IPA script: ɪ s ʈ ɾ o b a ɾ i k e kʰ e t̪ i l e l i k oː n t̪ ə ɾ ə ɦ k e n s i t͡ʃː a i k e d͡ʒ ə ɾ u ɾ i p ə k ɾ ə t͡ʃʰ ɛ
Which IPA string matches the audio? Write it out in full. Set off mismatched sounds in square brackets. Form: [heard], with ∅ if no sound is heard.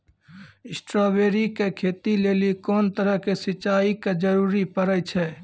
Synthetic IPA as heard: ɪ s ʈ ɾ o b [e] ɾ i k e kʰ e t̪ i l e l i k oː n t̪ ə ɾ ə ɦ k e [∅] s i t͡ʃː a i k e d͡ʒ ə ɾ u ɾ i p ə [∅] ɾ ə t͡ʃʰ ɛ